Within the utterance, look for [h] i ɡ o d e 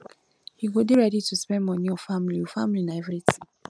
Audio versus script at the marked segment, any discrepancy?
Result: no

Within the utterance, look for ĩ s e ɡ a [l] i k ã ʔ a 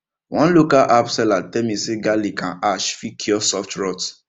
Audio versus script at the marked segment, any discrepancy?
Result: no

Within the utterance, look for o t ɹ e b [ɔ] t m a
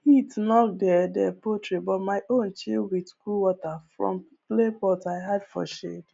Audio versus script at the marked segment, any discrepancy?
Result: no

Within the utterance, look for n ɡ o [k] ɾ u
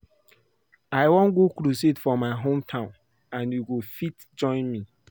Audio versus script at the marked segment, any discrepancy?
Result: no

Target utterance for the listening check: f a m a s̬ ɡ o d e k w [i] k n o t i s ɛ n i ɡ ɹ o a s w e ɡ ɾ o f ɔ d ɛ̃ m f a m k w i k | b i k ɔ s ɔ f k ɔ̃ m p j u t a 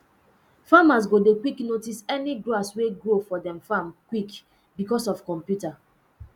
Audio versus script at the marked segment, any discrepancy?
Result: no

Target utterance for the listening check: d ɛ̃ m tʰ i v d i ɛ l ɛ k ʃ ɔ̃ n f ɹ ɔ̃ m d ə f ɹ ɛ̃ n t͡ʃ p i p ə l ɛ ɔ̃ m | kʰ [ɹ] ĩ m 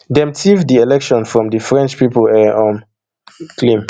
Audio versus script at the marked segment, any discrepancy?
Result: yes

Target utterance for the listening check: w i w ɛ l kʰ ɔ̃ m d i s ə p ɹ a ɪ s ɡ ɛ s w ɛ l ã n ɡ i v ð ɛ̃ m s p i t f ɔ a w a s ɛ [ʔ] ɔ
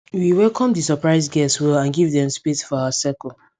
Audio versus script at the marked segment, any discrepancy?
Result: yes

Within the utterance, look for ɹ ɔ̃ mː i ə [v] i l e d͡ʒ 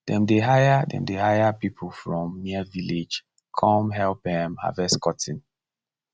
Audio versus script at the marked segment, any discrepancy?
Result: no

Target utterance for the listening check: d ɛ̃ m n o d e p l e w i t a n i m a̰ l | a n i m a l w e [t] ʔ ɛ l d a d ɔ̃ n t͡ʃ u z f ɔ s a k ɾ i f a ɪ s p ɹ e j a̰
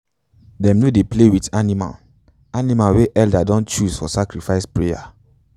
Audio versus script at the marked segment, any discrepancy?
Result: yes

